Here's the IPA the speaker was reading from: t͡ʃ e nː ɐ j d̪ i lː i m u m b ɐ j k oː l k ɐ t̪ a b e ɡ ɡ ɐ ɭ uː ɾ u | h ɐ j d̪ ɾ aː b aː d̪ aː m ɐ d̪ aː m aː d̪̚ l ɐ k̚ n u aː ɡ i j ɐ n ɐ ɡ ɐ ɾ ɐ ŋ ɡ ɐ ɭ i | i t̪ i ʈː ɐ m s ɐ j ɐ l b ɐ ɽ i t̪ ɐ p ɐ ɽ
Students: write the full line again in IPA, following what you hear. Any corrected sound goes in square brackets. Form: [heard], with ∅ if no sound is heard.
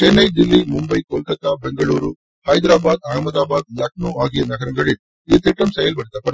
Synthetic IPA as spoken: t͡ʃ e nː ɐ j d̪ i lː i m u m b ɐ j k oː l k ɐ t̪ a b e [ŋ] ɡ ɐ ɭ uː ɾ u | h ɐ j d̪ ɾ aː b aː d̪ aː m ɐ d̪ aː [b] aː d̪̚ l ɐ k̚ n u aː ɡ i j ɐ n ɐ ɡ ɐ ɾ ɐ ŋ ɡ ɐ ɭ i | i t̪ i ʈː ɐ m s ɐ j ɐ l b ɐ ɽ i t̪ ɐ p ɐ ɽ

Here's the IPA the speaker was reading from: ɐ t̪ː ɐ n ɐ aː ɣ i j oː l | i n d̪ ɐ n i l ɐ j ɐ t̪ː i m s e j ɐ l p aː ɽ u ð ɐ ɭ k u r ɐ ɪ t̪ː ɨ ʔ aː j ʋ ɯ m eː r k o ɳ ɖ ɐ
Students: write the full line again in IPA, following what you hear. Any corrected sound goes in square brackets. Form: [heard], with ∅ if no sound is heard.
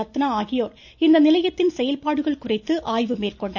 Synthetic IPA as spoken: ɐ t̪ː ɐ n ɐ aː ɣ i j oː [r] | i n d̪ ɐ n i l ɐ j ɐ t̪ː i [n] s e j ɐ l p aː ɽ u [ɣ] ɐ ɭ k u r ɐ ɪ t̪ː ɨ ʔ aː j ʋ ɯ m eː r k o ɳ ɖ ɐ

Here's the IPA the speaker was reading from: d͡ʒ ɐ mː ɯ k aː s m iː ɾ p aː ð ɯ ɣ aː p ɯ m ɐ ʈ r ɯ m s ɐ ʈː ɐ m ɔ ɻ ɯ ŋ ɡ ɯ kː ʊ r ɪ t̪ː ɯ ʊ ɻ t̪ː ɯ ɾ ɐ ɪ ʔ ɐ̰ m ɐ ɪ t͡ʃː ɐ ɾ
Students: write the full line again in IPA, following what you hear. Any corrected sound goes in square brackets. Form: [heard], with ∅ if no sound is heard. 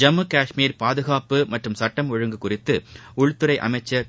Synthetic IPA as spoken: d͡ʒ ɐ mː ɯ k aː [ʂ] m iː ɾ p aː ð ɯ ɣ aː p ɯ m ɐ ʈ r ɯ m s ɐ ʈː ɐ m ɔ ɻ ɯ ŋ ɡ ɯ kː ʊ r ɪ t̪ː ɯ ʊ ɻ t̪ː ɯ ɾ ɐ ɪ ʔ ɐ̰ m ɐ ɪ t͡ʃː ɐ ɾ

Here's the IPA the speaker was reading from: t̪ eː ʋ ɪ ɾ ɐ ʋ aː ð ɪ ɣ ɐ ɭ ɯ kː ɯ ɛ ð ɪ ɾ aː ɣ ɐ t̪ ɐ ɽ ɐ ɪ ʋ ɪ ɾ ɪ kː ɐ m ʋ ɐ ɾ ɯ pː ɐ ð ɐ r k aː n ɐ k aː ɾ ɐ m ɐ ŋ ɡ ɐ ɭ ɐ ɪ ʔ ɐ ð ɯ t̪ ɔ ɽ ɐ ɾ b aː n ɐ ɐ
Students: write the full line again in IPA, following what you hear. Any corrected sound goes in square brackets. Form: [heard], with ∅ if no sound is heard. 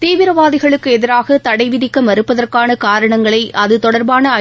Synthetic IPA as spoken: t̪ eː ʋ ɪ ɾ ɐ ʋ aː ð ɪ ɣ ɐ ɭ ɯ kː ɯ ɛ ð ɪ ɾ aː ɣ ɐ t̪ ɐ ɽ ɐ ɪ ʋ ɪ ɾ ɪ kː ɐ m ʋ ɐ ɾ ɯ pː ɐ ð ɐ r k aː n ɐ k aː ɾ ɐ [ɳ] ɐ ŋ ɡ ɐ ɭ ɐ ɪ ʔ ɐ ð ɯ t̪ ɔ ɽ ɐ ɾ b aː n ɐ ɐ

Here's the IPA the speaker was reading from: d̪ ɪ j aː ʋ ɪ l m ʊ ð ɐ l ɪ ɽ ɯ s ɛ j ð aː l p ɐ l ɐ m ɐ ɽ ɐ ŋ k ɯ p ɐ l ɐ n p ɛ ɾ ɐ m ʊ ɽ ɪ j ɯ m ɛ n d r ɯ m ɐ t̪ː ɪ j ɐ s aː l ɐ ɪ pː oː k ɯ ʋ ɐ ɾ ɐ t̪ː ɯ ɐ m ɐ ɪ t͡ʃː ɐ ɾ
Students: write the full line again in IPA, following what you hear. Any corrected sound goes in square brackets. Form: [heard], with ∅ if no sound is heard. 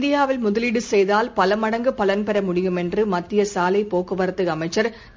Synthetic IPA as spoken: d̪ ɪ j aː ʋ ɪ l m ʊ ð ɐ l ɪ ɽ ɯ s ɛ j ð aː l p ɐ l ɐ m ɐ ɽ ɐ ŋ [ɡ] ɯ p ɐ l ɐ n p ɛ ɾ ɐ m ʊ ɽ ɪ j ɯ m ɛ n d r ɯ m ɐ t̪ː ɪ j ɐ s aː l ɐ ɪ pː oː k ɯ ʋ ɐ ɾ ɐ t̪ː ɯ ɐ m ɐ ɪ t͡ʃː ɐ ɾ

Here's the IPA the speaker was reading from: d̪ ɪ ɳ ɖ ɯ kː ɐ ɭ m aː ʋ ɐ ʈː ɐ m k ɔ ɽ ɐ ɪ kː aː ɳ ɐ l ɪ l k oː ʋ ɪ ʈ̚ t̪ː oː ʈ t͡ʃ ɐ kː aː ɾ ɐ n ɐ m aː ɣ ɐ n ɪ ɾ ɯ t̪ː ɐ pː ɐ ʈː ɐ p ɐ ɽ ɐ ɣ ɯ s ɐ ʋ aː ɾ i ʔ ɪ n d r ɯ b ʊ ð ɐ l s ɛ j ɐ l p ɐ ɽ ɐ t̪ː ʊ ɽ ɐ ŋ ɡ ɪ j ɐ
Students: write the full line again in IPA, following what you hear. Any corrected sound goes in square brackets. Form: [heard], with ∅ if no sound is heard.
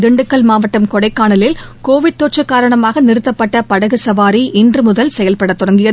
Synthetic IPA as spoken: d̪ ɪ ɳ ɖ ɯ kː ɐ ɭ m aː ʋ ɐ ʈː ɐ m k ɔ ɽ ɐ ɪ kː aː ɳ ɐ l ɪ l k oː ʋ ɪ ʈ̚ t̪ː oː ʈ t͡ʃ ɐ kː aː ɾ ɐ [ɳ] ɐ m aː ɣ ɐ n ɪ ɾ ɯ t̪ː ɐ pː ɐ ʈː ɐ p ɐ ɽ ɐ ɣ ɯ s ɐ ʋ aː ɾ i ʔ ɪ n d r ɯ [m] ʊ ð ɐ l s ɛ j ɐ l p ɐ ɽ ɐ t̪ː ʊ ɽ ɐ ŋ ɡ ɪ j ɐ

